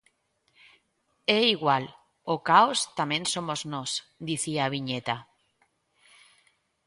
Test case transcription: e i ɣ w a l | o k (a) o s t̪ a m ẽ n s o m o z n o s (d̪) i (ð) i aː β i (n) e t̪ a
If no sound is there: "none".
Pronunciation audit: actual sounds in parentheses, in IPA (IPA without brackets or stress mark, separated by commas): a, d̪, θ, ɲ